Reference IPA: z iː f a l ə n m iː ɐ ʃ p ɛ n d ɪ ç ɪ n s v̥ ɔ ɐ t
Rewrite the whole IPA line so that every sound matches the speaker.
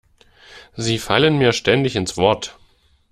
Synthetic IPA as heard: z iː f a l ə n m iː ɐ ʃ t ɛ n d ɪ ç ɪ n s v̥ ɔ ɐ t